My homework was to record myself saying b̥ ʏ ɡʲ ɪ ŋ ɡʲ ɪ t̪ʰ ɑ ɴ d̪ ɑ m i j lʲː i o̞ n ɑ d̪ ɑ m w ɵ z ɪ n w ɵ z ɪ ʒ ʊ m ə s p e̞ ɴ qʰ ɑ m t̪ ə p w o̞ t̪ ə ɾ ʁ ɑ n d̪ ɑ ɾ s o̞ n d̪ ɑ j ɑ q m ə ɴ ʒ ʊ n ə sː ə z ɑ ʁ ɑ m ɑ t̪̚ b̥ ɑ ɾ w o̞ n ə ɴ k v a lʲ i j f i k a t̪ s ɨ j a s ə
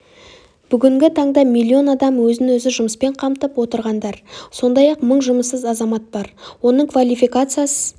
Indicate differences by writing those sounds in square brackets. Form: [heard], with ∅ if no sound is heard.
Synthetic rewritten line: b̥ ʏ ɡʲ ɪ ŋ ɡʲ ɪ t̪ʰ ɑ ɴ d̪ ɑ m i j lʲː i o̞ n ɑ d̪ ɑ m w ɵ z ɪ n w ɵ z ɪ ʒ ʊ m ə s p e̞ ɴ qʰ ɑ m t̪ ə p w o̞ t̪ ə ɾ ʁ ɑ n d̪ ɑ ɾ s o̞ n d̪ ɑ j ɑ q m ə ɴ ʒ ʊ [m] ə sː ə z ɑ [z] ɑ m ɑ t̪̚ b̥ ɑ ɾ w o̞ n ə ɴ k v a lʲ i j f i k a t̪ s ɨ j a s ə